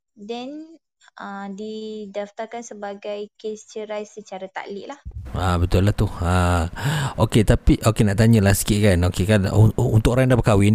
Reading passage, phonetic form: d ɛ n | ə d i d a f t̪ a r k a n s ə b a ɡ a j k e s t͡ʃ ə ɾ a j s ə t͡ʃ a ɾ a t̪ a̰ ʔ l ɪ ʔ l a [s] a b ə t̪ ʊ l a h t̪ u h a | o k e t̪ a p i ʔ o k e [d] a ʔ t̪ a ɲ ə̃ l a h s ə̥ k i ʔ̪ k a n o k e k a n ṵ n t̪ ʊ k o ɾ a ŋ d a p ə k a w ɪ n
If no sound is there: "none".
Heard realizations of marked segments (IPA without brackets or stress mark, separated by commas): h, n